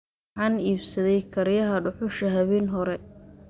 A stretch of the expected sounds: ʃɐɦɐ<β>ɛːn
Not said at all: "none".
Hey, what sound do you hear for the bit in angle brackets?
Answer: β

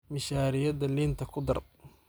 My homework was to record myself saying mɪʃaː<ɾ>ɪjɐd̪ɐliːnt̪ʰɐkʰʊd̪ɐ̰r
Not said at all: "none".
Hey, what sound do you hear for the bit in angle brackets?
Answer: ɾ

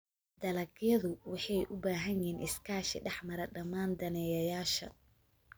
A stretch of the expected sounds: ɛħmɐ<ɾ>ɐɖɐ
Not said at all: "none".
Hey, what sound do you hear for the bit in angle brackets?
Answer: ɾ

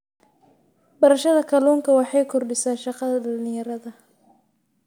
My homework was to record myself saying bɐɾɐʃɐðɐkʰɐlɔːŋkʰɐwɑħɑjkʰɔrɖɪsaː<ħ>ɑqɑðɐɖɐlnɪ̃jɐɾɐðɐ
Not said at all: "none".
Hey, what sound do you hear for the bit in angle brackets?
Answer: ʃ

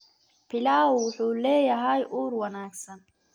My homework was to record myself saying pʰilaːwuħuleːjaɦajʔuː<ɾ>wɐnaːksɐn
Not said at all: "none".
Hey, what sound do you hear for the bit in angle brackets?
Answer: ɾ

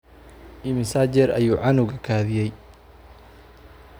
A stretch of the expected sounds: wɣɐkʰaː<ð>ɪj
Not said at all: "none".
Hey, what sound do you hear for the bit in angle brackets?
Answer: ð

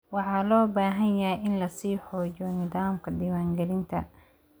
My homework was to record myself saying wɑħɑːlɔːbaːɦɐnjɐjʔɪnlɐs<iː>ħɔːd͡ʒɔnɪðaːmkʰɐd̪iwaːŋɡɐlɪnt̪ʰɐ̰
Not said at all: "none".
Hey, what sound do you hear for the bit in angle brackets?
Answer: iː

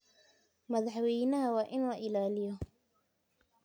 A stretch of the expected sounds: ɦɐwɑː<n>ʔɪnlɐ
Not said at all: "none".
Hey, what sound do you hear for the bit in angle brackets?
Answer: none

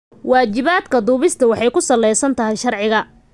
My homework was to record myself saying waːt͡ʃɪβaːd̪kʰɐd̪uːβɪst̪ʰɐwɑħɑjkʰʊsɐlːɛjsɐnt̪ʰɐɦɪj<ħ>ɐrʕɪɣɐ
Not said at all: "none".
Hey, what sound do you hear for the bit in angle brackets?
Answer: ʃ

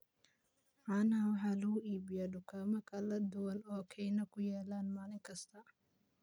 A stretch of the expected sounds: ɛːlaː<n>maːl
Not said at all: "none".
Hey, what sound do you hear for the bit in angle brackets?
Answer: n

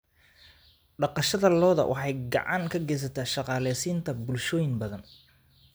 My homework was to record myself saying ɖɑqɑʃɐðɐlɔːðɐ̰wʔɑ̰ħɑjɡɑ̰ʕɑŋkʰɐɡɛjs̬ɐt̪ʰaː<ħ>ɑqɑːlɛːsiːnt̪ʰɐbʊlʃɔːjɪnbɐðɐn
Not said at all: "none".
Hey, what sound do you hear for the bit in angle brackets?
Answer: ʃ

